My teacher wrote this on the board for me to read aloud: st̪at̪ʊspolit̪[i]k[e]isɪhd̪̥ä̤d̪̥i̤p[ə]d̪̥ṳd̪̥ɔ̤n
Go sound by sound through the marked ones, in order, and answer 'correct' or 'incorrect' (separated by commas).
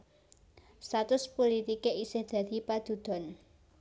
correct, correct, incorrect